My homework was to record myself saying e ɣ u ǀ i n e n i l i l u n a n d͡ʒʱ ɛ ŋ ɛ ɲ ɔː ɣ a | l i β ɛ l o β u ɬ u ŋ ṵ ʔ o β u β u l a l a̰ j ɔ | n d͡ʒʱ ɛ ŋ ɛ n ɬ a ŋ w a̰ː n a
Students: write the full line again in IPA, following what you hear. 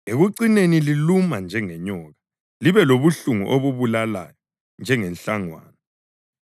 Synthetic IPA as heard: e ɣ u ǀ i n e n i l i l u m a n d͡ʒʱ ɛ ŋ ɛ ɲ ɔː ɣ a | l i β ɛ l o β u ɬ u ŋ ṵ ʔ o β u β u l a l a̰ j ɔ | n d͡ʒʱ ɛ ŋ ɛ n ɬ a ŋ w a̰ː n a